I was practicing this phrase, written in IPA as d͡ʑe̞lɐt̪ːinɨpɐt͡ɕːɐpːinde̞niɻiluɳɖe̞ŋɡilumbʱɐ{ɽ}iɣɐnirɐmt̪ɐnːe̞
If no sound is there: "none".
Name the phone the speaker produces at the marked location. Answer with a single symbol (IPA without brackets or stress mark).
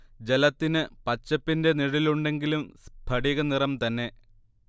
ɽ